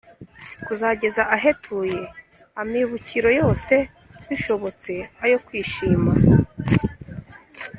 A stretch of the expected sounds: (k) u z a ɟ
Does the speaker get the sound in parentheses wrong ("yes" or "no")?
no